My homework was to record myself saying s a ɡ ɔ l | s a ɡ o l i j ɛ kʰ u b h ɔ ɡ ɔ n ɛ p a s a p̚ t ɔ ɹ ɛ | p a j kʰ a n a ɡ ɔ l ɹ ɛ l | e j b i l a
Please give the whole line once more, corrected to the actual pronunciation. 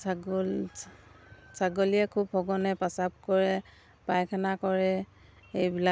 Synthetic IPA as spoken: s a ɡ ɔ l | s a ɡ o l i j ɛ kʰ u b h ɔ ɡ ɔ n ɛ p a s a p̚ k ɔ ɹ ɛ | p a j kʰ a n a k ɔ ɹ ɛ | e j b i l a